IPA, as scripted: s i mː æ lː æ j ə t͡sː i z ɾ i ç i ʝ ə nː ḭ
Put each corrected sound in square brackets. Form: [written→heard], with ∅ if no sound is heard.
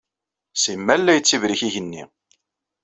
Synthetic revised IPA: s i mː æ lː æ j ə t͡sː i [z→v] ɾ i ç i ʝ ə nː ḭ